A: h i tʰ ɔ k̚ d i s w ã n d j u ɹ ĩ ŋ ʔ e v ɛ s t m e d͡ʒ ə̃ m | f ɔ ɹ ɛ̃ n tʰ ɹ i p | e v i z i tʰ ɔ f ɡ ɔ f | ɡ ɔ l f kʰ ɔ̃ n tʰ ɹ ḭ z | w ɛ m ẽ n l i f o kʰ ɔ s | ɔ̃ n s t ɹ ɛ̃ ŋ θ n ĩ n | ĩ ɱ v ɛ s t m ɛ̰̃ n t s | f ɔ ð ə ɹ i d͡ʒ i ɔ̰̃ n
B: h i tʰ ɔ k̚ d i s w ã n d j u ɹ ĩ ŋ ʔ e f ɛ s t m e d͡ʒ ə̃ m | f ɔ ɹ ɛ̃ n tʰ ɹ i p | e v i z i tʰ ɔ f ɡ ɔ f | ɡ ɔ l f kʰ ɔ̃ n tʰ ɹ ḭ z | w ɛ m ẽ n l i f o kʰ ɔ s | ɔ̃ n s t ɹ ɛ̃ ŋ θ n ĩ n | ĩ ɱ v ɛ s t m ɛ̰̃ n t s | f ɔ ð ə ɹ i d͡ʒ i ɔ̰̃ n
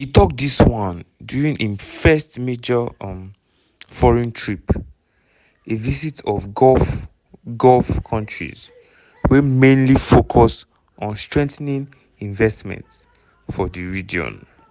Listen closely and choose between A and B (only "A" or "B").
B